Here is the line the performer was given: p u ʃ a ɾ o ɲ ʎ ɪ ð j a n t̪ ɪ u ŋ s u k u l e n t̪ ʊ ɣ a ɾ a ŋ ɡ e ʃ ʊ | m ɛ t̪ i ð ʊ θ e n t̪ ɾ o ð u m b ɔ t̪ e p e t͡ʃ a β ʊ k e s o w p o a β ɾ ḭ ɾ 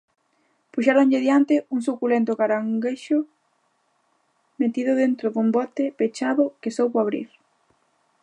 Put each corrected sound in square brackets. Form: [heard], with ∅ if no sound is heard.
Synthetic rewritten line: p u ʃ a ɾ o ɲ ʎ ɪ ð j a n t̪ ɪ u ŋ s u k u l e n t̪ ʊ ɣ a ɾ a ŋ ɡ e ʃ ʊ | m [e] t̪ i ð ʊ [ð] e n t̪ ɾ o ð u m b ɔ t̪ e p e t͡ʃ a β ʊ k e s o w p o a β ɾ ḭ ɾ

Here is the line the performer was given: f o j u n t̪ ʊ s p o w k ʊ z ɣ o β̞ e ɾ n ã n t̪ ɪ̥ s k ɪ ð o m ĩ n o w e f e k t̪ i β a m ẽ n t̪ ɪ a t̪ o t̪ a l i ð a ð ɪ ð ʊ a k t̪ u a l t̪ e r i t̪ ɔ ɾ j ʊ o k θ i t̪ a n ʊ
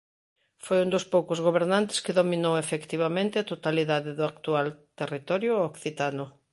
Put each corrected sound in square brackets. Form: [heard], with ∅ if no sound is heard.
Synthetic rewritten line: f o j u n [d̪] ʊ s p o w k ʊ z ɣ o β̞ e ɾ n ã n t̪ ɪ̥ s k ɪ ð o m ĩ n o w e f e k t̪ i β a m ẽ n t̪ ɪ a t̪ o t̪ a l i ð a ð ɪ ð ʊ a k t̪ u a l t̪ e r i t̪ ɔ ɾ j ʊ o k θ i t̪ a n ʊ

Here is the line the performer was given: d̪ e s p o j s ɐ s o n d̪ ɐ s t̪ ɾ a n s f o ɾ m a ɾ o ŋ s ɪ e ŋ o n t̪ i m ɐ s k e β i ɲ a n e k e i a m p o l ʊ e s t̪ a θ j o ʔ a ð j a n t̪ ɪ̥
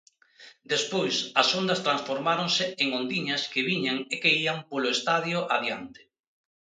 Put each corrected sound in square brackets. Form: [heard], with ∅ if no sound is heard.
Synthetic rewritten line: d̪ e s p o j s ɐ s o n d̪ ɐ s t̪ ɾ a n s f o ɾ m a ɾ o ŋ s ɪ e ŋ o n [d̪] i [ɲ] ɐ s k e β i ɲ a [ŋ] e k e i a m p o l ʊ e s t̪ a [ð] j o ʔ a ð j a n t̪ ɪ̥

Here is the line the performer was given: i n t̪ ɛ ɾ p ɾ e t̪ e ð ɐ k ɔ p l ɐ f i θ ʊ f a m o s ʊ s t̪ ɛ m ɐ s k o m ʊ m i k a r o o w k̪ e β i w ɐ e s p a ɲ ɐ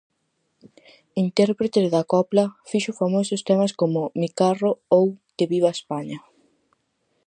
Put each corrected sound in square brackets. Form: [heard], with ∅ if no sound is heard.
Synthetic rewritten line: i n t̪ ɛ ɾ p ɾ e t̪ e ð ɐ k ɔ p l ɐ f i [ʃ] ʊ f a m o s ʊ s t̪ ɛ m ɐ s k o m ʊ m i k a r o o w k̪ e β i [β] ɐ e s p a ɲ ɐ

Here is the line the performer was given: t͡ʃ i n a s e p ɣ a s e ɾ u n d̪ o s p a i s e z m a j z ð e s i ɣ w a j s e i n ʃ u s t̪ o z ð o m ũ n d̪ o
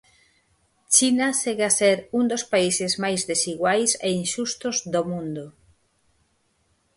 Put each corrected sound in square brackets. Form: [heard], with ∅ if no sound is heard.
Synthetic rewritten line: t͡ʃ i n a s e [∅] ɣ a s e ɾ u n d̪ o s p a i s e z m a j z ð e s i ɣ w a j s e i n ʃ u s t̪ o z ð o m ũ n d̪ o

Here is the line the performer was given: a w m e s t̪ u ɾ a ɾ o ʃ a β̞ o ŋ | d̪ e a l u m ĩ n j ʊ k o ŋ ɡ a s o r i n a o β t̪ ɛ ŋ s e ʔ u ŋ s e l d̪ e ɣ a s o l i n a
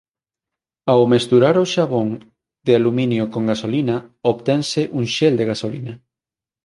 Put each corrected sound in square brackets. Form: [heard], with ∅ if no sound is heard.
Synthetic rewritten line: a w m e s t̪ u ɾ a ɾ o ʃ a β̞ o ŋ | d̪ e a l u m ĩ n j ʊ k o ŋ ɡ a s o [l] i n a o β t̪ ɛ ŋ s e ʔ u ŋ [ʃ] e l d̪ e ɣ a s o l i n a

